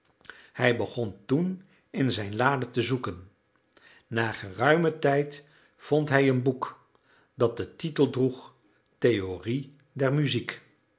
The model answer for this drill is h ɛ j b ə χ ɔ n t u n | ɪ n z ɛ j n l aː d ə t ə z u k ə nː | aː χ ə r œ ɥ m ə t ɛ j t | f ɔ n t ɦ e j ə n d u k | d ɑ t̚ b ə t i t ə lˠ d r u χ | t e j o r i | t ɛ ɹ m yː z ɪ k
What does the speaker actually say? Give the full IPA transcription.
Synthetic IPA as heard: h ɛ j b ə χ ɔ n t u n | ɪ n z ɛ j n l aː d ə t ə z u k ə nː | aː χ ə r œ ɥ m ə t ɛ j t | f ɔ n t ɦ ɛ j ə n b u k | d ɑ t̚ d ə t i t ə lˠ d r u χ | t e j o r i | d ɛ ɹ m y z i k